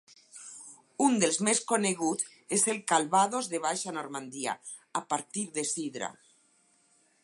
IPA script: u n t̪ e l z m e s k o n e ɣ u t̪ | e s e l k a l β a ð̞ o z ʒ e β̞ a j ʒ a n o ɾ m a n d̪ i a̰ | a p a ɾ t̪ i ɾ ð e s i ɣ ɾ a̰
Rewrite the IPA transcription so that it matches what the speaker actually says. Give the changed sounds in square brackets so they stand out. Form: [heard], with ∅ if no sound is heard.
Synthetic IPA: u n [d̪] e l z m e s k o n e ɣ u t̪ | e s e l k a l β a ð̞ o z [ð] e β̞ a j [ʃ] a n o ɾ m a n d̪ i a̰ | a p a ɾ t̪ i ɾ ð e s i [ð] ɾ a̰